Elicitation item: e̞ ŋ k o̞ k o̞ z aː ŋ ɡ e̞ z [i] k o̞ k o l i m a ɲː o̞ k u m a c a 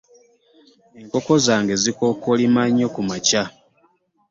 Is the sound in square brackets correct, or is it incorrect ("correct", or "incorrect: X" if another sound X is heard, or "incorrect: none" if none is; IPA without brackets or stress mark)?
correct